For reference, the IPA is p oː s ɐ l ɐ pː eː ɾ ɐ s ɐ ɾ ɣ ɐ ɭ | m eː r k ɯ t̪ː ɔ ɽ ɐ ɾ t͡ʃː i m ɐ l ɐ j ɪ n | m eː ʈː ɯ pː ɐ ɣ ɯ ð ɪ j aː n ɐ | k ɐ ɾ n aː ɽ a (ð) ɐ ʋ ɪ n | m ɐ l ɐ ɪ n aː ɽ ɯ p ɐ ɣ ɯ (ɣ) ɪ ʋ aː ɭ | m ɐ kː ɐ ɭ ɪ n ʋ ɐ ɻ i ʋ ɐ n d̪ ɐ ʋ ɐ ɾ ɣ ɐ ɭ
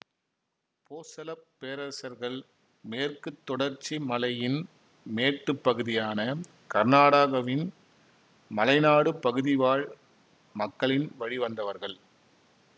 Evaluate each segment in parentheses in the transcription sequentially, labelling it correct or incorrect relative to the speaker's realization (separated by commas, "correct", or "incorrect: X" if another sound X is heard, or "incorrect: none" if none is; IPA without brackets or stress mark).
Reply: incorrect: ɣ, incorrect: ð